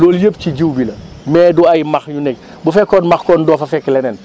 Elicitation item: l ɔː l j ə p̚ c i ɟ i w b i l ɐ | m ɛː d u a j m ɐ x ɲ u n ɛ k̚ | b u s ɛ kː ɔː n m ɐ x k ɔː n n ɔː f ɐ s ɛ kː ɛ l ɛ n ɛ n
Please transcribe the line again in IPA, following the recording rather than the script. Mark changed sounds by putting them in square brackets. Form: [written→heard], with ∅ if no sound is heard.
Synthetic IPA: l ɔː l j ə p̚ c i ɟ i w b i l ɐ | m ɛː d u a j m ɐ x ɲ u n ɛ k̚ | b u [s→f] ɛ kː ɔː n m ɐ x k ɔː n [n→d] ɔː f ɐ [s→f] ɛ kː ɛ l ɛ n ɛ n